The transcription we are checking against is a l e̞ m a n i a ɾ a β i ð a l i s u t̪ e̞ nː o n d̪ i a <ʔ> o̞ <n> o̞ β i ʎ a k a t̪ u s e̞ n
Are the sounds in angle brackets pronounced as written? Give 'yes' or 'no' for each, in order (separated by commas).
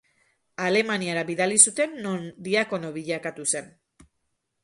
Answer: no, yes